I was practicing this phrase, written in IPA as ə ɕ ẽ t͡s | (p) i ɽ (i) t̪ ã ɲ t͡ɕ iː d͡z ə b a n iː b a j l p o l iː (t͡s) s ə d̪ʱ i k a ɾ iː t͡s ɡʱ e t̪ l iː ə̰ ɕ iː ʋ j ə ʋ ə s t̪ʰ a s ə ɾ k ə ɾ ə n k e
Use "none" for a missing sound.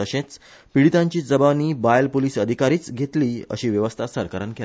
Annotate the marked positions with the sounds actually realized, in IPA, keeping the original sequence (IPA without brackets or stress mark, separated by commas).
p, i, none